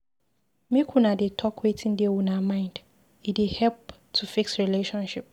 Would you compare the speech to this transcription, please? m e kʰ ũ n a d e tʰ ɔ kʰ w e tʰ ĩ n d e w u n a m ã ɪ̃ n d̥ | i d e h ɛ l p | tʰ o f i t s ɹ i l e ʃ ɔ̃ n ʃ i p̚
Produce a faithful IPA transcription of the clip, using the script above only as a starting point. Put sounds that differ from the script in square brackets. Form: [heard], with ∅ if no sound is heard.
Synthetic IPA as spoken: m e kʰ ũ n a d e tʰ ɔ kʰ w e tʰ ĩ n d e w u n a m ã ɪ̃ n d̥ | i d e h ɛ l p | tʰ [u] f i [k] s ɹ i l e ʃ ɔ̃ n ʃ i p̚